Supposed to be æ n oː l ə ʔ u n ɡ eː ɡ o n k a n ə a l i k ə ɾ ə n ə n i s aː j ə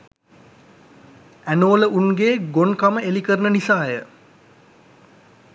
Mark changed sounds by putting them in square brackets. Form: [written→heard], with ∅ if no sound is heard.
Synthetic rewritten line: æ n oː l ə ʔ u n ɡ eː ɡ o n k a [n→m] ə [a→e] l i k ə ɾ ə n ə n i s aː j ə

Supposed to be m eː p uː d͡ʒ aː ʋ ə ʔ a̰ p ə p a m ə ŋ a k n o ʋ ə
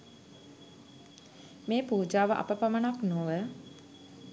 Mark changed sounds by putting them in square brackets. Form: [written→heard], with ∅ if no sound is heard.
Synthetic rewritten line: m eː p uː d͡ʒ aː ʋ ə ʔ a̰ p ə p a m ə [ŋ→n] a k n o ʋ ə

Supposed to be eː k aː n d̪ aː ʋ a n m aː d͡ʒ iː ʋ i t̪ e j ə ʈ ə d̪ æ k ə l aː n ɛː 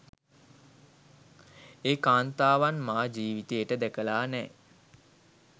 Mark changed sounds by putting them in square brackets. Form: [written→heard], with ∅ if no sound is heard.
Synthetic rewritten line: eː k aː n [d̪→t̪] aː ʋ a n m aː d͡ʒ iː ʋ i t̪ e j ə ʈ ə d̪ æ k ə l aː n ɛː

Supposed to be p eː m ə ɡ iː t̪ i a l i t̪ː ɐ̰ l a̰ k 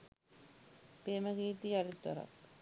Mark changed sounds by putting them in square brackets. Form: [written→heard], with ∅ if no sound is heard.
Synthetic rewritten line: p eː m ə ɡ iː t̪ i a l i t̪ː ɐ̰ [l→ɾ] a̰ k

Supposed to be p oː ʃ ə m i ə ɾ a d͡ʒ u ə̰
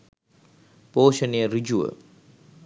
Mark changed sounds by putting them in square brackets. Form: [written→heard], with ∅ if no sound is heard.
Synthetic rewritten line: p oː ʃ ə [m→n] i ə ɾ [a→i] d͡ʒ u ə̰

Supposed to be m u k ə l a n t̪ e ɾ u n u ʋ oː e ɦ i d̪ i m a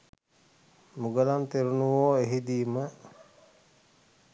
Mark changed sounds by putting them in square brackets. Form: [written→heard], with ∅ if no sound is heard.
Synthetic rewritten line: m u [k→ɡ] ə l a n t̪ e ɾ u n u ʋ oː e ɦ i d̪ [i→iː] m [a→ə]

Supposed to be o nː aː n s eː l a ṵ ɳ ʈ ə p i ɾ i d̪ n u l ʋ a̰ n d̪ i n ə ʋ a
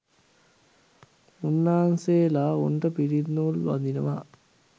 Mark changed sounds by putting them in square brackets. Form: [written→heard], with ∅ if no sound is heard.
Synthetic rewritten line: [o→u] nː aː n s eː l a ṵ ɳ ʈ ə p i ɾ i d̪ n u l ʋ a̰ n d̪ i n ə ʋ a

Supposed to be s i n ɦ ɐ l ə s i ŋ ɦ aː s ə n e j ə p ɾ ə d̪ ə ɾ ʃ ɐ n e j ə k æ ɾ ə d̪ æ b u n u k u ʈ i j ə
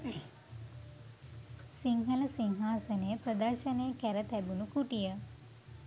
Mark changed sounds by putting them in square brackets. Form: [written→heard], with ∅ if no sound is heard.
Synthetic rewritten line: s i [n→ŋ] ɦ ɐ l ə s i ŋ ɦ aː s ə n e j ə p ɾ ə d̪ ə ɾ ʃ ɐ n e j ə k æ ɾ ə [d̪→t̪] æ b u n u k u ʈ i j ə

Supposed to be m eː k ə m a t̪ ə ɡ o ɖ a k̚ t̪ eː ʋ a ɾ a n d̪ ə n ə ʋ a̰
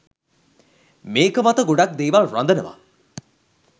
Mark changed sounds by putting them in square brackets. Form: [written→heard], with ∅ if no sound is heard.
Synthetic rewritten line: m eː k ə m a t̪ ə ɡ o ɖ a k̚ [t̪→d̪] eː ʋ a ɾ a n d̪ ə n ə ʋ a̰

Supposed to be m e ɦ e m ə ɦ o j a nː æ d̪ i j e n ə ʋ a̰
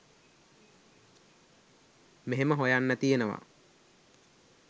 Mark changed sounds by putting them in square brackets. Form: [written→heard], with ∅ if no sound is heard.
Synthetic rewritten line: m e ɦ e m ə ɦ o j a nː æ [d̪→t̪] i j e n ə ʋ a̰

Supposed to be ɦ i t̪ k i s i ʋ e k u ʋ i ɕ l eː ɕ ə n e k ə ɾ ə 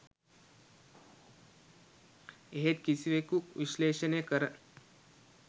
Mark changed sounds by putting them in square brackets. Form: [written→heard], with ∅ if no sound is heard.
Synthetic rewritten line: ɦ [i→e] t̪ k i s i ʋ e k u ʋ i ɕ l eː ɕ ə n e k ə ɾ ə

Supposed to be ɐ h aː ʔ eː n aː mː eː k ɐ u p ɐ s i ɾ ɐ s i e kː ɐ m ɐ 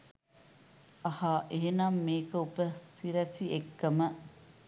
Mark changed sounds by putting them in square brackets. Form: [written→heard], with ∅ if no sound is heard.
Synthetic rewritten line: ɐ h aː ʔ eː n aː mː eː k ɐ u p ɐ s i ɾ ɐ s i e kː ɐ m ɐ

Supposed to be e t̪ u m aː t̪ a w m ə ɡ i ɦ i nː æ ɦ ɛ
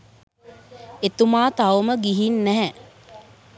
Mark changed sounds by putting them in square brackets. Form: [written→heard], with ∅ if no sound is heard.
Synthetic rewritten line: e t̪ u m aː t̪ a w m ə ɡ i ɦ i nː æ ɦ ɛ

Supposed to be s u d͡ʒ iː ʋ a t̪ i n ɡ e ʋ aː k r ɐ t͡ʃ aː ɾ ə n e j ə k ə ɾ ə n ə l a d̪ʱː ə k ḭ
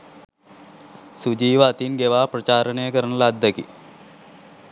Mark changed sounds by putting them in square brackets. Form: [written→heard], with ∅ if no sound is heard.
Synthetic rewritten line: s u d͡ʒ iː ʋ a t̪ i n ɡ e ʋ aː [k→p] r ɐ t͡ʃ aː ɾ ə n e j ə k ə ɾ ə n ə l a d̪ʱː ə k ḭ

